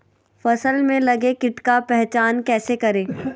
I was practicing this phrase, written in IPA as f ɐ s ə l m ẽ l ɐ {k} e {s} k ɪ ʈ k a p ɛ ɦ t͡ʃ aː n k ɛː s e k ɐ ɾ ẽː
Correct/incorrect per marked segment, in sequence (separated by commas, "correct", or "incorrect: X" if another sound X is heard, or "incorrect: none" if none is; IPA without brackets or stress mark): incorrect: ɡ, incorrect: none